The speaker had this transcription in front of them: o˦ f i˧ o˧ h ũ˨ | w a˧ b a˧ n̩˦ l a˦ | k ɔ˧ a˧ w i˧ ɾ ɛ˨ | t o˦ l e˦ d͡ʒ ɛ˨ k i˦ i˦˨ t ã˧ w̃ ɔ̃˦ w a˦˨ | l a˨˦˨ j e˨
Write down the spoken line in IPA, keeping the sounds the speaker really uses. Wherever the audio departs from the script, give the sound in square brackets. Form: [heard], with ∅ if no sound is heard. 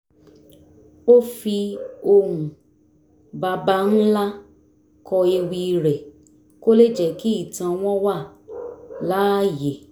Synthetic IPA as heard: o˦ f i˧ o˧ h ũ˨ | [b] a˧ b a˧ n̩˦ l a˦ | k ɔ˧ [e˧] w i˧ ɾ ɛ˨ | [k] o˦ l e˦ d͡ʒ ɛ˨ k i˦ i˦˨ t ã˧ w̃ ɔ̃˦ w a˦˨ | l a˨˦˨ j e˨